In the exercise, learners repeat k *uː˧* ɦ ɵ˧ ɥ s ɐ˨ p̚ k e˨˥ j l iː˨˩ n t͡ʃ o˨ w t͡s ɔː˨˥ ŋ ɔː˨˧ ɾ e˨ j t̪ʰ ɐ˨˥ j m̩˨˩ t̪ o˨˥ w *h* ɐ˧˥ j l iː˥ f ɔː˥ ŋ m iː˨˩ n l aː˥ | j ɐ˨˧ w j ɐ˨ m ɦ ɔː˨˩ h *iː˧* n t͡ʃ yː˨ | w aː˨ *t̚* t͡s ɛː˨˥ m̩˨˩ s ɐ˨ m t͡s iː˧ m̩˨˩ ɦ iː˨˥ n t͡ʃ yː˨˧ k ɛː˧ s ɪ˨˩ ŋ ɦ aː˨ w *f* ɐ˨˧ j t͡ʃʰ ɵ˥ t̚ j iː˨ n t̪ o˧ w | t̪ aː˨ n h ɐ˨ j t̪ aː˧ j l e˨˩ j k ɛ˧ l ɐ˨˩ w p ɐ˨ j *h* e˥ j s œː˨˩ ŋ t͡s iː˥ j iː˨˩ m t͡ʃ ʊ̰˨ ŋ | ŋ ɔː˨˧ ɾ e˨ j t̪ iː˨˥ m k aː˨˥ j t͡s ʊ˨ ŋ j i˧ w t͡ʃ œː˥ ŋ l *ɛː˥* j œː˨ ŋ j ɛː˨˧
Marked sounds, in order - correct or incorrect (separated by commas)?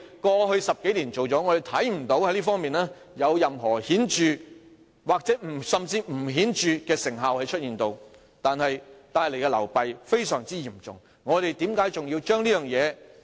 incorrect, correct, incorrect, incorrect, incorrect, incorrect, incorrect